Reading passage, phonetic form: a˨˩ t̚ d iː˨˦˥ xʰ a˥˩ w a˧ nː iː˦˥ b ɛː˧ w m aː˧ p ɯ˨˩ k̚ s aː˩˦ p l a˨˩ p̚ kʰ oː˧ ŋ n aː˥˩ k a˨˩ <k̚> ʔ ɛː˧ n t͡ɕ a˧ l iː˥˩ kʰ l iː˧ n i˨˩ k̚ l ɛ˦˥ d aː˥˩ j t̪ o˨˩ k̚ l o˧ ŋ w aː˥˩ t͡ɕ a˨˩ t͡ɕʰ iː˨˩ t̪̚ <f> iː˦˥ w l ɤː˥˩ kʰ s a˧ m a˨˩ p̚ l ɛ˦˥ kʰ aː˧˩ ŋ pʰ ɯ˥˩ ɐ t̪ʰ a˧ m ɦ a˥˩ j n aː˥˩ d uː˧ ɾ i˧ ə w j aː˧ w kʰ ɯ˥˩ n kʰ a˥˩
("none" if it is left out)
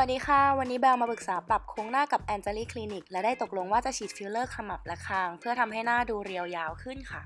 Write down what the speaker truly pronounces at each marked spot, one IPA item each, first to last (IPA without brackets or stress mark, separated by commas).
p̚, f